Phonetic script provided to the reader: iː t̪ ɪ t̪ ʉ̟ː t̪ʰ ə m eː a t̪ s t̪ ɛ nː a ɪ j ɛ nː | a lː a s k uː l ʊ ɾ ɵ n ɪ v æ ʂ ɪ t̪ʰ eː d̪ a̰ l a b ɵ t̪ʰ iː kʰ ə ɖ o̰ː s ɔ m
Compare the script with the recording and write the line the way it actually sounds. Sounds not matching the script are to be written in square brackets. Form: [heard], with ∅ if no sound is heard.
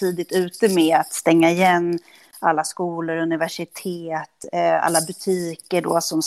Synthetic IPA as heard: iː [d̪] ɪ t̪ ʉ̟ː [t̪] ə m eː a t̪ s t̪ ɛ [ŋː] a ɪ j ɛ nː | a lː a s k uː l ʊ ɾ ɵ n ɪ v æ ʂ ɪ t̪ʰ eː [t̪] a̰ [lː] a b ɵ t̪ʰ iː [k] ə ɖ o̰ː s ɔ m